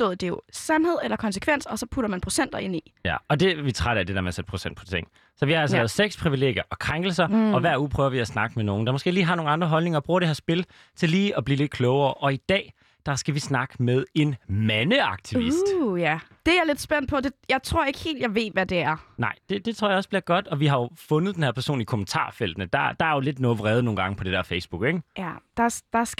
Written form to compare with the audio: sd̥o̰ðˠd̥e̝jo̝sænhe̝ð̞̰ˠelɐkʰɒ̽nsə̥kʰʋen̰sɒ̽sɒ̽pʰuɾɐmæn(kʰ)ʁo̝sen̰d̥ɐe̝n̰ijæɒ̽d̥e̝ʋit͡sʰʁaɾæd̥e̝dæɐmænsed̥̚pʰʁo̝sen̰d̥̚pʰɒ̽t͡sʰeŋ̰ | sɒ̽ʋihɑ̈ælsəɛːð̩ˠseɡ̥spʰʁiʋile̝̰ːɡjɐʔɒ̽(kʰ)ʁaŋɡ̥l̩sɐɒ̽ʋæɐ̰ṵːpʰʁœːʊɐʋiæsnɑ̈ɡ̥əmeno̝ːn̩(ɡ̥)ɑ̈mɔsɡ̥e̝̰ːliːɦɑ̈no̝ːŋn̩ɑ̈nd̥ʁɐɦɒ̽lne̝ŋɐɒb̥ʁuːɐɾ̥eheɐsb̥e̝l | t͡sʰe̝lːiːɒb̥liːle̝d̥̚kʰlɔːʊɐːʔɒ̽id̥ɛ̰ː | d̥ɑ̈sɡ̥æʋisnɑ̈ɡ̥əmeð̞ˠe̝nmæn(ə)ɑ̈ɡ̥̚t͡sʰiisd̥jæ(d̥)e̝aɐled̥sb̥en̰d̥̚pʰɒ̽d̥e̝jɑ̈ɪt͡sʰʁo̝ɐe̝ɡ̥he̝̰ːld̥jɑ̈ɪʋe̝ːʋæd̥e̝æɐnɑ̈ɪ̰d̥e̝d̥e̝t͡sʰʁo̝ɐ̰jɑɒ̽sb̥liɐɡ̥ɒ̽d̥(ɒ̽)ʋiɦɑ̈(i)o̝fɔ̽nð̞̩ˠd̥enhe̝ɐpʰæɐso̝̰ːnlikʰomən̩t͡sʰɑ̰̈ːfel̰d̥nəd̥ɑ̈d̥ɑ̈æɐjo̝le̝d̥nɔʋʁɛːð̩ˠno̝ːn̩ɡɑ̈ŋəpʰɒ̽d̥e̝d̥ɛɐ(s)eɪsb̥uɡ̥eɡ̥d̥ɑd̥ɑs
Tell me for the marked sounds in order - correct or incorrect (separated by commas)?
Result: incorrect, correct, incorrect, correct, correct, correct, incorrect, incorrect